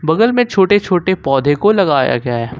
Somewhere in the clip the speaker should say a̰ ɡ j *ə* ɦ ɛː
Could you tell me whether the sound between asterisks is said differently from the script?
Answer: yes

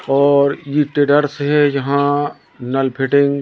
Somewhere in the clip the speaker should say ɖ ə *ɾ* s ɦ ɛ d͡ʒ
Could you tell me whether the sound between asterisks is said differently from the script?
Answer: no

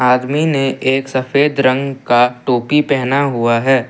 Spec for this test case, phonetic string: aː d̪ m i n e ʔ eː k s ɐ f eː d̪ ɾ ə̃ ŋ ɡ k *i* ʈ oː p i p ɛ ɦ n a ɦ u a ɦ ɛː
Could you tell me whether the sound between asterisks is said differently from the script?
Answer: yes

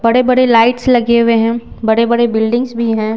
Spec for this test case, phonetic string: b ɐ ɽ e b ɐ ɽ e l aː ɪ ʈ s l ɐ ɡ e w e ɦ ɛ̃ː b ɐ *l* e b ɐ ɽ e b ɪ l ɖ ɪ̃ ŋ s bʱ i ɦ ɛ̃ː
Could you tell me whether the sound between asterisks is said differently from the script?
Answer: yes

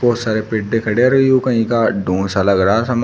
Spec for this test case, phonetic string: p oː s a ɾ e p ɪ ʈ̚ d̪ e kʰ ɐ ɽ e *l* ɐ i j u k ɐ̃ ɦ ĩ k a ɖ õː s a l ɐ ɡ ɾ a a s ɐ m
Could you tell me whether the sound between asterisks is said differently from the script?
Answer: yes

